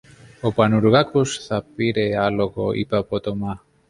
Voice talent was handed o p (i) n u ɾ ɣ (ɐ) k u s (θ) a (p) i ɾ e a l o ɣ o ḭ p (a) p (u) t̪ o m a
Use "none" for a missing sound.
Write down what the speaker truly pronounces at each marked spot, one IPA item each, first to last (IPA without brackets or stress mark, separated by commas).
a, a, θ, p, a, o